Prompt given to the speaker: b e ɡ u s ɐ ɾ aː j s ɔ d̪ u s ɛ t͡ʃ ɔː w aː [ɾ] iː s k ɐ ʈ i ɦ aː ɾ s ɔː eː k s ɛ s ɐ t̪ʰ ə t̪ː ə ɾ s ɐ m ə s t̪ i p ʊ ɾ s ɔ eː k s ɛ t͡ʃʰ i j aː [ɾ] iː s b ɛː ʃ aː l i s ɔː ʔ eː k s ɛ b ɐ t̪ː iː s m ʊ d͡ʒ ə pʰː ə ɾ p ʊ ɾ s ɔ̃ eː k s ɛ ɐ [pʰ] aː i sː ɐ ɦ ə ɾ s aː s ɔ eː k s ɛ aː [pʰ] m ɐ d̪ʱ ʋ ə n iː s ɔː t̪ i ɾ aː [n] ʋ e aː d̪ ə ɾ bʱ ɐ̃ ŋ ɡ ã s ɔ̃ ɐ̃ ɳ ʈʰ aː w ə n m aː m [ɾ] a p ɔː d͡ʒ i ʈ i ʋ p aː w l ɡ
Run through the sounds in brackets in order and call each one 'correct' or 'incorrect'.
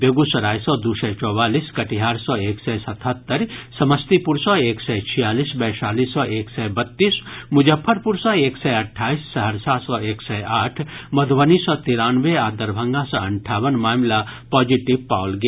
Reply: incorrect: l, incorrect: l, incorrect: ʈʰ, incorrect: ʈʰ, correct, incorrect: l

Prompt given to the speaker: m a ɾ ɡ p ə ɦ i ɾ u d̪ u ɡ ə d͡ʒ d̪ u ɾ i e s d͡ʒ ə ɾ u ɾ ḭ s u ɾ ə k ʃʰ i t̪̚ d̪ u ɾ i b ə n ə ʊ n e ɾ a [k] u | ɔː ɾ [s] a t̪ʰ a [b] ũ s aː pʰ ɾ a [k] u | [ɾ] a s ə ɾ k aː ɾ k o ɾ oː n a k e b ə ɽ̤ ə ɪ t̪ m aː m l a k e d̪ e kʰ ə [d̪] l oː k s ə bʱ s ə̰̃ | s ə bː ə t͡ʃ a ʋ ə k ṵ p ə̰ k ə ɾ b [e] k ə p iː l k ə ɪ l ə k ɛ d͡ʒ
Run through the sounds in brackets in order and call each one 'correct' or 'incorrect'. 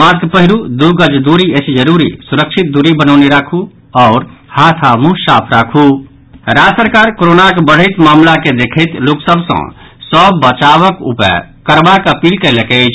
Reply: incorrect: kʰ, incorrect: h, incorrect: m, incorrect: kʰ, correct, incorrect: t̪, incorrect: a

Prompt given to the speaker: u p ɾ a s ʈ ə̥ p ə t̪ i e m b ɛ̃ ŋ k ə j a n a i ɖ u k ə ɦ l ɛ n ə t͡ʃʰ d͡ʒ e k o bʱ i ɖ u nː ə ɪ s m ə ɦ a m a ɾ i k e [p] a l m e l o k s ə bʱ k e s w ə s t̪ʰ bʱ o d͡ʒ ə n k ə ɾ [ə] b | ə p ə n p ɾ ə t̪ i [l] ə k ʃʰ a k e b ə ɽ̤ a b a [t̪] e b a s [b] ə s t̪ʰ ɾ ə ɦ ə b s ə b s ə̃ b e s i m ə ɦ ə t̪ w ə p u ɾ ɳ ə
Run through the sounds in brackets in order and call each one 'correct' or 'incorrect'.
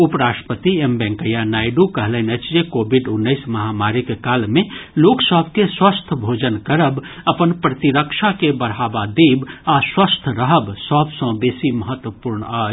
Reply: incorrect: k, correct, incorrect: ɾ, incorrect: d̪, incorrect: w

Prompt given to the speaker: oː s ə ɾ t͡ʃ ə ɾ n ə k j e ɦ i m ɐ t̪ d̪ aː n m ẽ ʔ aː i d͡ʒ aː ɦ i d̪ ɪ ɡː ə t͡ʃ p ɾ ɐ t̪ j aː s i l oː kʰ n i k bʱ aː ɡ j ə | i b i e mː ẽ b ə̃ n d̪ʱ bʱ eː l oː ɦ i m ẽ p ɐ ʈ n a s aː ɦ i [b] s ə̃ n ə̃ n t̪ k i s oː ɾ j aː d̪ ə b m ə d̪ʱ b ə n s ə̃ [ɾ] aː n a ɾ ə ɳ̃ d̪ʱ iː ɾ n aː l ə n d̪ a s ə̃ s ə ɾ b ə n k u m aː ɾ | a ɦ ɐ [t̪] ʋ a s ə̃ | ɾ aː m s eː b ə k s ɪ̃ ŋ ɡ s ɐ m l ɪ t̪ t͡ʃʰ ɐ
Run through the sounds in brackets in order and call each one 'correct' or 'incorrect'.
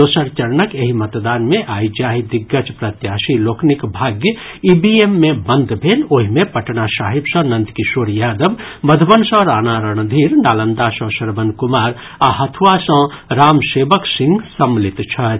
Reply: correct, correct, incorrect: t̪ʰ

